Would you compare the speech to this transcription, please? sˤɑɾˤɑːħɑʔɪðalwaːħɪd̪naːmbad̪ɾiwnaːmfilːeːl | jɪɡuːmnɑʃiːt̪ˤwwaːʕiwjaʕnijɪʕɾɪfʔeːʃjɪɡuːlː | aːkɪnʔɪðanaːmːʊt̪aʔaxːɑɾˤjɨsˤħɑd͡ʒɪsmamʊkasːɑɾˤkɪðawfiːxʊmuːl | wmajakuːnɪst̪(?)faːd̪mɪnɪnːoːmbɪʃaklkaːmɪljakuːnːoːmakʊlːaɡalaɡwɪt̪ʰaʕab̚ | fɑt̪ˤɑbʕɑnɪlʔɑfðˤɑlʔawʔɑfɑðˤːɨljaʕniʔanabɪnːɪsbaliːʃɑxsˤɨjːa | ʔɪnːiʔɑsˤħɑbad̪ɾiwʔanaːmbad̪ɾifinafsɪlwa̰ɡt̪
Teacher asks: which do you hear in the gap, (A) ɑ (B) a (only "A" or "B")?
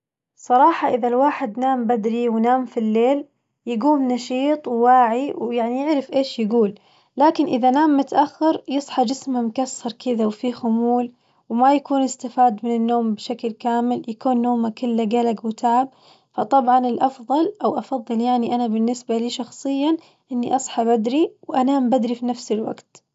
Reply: B